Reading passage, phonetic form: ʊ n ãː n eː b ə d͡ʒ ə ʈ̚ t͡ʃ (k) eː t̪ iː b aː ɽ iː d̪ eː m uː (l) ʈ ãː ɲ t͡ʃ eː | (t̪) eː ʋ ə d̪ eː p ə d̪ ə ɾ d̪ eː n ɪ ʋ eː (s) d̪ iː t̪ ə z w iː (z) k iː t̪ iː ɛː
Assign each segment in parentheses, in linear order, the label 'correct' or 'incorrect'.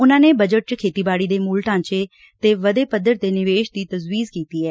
incorrect, correct, correct, incorrect, correct

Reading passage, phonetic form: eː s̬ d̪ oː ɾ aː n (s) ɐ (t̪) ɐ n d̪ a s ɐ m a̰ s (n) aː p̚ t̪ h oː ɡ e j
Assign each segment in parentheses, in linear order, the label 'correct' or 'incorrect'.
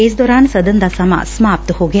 correct, incorrect, incorrect

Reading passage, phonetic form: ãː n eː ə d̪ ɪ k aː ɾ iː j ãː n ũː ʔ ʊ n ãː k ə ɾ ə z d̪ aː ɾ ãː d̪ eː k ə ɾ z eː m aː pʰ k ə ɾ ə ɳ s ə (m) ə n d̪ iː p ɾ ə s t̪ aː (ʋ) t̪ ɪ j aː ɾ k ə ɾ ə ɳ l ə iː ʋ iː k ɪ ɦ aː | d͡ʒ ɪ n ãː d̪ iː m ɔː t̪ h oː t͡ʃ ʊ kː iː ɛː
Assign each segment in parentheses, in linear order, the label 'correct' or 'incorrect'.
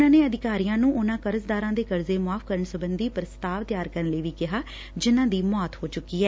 incorrect, correct

